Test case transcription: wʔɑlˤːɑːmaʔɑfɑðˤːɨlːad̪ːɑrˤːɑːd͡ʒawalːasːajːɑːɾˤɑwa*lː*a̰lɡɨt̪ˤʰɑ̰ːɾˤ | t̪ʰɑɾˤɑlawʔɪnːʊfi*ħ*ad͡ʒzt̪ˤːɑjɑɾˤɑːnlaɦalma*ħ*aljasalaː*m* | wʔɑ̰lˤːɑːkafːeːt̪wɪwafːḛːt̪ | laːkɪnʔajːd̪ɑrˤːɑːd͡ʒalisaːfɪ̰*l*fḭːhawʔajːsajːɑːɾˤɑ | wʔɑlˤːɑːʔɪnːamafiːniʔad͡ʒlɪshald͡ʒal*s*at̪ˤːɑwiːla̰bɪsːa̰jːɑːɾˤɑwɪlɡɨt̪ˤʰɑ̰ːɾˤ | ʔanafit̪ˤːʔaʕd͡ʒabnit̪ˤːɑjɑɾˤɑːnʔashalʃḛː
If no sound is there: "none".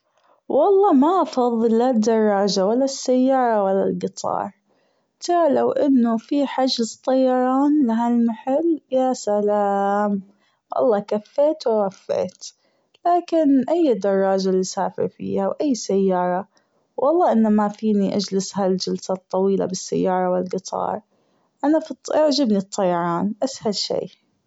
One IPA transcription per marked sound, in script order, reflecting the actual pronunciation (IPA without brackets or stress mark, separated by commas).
lː, ħ, ħ, m, ɾ, s